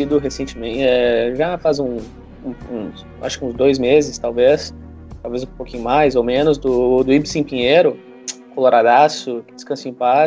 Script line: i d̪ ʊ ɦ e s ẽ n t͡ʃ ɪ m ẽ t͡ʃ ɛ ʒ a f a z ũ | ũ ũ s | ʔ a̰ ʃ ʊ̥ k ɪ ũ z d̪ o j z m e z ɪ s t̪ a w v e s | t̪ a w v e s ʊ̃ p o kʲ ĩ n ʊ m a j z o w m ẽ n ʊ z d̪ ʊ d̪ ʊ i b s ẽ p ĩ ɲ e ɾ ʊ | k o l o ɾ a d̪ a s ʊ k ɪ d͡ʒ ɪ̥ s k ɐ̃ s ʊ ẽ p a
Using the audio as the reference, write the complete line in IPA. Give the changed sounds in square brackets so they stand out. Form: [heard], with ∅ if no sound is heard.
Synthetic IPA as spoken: i d̪ ʊ ɦ e s ẽ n t͡ʃ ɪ m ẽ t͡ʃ ɛ ʒ a f a z ũ | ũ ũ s | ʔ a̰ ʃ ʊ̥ k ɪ ũ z d̪ o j z m e z ɪ s t̪ a w v e s | t̪ a w v e [z] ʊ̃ p o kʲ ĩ [ɲ] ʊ m a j z o w m ẽ n ʊ z d̪ ʊ d̪ ʊ i b s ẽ p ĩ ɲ e ɾ ʊ | k o l o ɾ a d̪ a s ʊ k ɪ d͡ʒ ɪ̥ s k ɐ̃ s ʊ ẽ p a